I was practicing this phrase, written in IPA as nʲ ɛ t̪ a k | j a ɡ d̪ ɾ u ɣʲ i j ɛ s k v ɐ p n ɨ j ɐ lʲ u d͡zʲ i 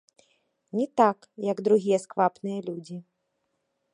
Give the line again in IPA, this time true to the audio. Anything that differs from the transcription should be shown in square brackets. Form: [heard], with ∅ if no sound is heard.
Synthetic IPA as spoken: nʲ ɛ t̪ a k | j [ɐ] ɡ d̪ ɾ u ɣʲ i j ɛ s k v [a] p n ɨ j ɐ lʲ u d͡zʲ i